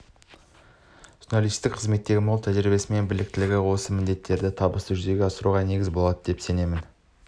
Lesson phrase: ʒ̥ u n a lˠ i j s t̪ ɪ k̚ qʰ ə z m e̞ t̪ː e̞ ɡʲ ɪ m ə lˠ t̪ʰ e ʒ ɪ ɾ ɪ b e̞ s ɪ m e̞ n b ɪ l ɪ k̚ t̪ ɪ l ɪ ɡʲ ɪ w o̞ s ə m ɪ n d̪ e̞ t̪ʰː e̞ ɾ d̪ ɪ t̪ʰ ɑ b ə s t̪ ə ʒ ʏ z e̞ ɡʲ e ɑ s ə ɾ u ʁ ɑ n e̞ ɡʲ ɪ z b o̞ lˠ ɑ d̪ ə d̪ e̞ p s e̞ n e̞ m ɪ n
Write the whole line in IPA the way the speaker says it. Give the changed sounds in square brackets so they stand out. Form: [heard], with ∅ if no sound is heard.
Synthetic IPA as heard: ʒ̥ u n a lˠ i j s t̪ ɪ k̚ qʰ ə z m e̞ t̪ː e̞ ɡʲ ɪ m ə lˠ t̪ʰ [æ] ʒ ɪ ɾ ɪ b e̞ s ɪ m e̞ n b ɪ l ɪ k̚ t̪ ɪ l ɪ ɡʲ ɪ w o̞ s ə m ɪ n d̪ e̞ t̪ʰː e̞ ɾ d̪ ɪ t̪ʰ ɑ b ə s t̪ ə ʒ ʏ z e̞ ɡʲ e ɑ s ə ɾ u ʁ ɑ n e̞ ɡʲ ɪ z b o̞ lˠ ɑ d̪ ə d̪ e̞ p s e̞ n e̞ m ɪ n